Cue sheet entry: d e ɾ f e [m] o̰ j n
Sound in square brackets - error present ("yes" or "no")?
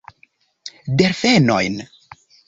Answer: yes